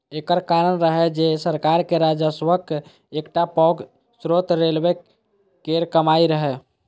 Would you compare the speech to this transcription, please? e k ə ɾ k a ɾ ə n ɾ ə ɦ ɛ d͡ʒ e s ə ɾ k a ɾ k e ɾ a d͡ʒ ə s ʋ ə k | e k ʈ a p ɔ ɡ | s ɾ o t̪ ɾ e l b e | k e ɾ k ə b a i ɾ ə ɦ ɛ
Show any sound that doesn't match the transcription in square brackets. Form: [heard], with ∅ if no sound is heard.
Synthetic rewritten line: e k ə ɾ k a ɾ ə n ɾ ə ɦ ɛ d͡ʒ e s ə ɾ k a ɾ k e ɾ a d͡ʒ ə s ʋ ə k | e k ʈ a p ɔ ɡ | s ɾ o t̪ ɾ e l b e | k e ɾ k ə [m] a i ɾ ə ɦ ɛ

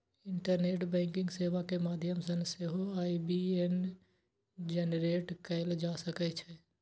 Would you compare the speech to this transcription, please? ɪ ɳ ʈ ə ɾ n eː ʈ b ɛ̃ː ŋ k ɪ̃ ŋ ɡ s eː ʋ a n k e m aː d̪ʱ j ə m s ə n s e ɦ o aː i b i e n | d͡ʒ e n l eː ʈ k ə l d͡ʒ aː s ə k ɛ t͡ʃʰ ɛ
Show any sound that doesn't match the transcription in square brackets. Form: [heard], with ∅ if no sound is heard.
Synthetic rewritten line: ɪ ɳ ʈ ə ɾ n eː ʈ b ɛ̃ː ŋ k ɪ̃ ŋ ɡ s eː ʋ a [∅] k e m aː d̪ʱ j ə m s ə n s e ɦ o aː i b i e n | d͡ʒ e n [ɾ] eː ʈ k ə l d͡ʒ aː s ə k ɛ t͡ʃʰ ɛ

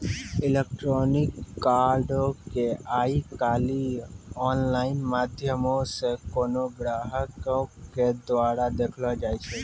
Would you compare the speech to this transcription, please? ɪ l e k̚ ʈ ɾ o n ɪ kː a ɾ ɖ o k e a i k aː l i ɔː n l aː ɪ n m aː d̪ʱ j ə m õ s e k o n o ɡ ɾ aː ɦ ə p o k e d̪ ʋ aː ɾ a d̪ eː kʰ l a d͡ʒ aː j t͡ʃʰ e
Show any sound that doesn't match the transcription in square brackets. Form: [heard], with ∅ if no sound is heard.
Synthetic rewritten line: ɪ l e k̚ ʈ ɾ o n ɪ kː a ɾ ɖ o k e a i k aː l i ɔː n l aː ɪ n m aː d̪ʱ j ə m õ s e k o n o ɡ ɾ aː ɦ ə [k] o k e d̪ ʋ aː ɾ a d̪ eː kʰ l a d͡ʒ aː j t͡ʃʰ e

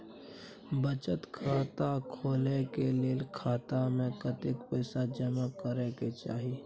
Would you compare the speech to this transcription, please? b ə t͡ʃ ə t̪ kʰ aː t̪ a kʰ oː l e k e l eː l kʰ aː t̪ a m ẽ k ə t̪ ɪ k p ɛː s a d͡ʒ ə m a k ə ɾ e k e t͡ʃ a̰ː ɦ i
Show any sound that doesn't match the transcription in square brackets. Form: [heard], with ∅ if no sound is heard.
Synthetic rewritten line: b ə t͡ʃ ə t̪ kʰ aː t̪ a kʰ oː l e k e l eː l kʰ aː t̪ a m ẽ k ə t̪ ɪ k p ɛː s a d͡ʒ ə m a k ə ɾ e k e t͡ʃ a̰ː ɦ i

